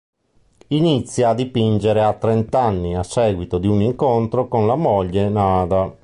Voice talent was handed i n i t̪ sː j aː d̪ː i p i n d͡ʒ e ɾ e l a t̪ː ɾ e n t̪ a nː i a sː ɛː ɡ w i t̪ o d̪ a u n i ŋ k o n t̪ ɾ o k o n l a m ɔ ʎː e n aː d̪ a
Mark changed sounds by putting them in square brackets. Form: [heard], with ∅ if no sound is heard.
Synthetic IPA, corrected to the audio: i n i t̪ sː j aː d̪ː i p i n d͡ʒ e ɾ e [∅] a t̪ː ɾ e n t̪ a nː i a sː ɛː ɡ w i t̪ o d̪ [i] u n i ŋ k o n t̪ ɾ o k o n l a m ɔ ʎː e n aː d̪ a